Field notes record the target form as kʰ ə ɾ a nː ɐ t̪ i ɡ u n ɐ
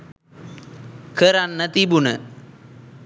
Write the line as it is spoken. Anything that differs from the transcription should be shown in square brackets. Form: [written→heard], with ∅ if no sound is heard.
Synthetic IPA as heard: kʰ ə ɾ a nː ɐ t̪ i [ɡ→b] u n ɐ